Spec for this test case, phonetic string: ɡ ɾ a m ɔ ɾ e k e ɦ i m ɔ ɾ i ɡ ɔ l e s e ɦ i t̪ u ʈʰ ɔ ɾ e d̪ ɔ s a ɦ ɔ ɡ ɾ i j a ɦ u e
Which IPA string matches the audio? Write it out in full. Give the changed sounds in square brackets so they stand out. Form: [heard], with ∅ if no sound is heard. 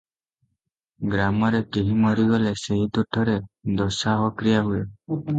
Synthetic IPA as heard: ɡ ɾ a m ɔ ɾ e k e ɦ i m ɔ ɾ i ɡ ɔ l e s e ɦ i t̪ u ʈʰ ɔ ɾ e d̪ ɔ s a ɦ ɔ [k] ɾ i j a ɦ u e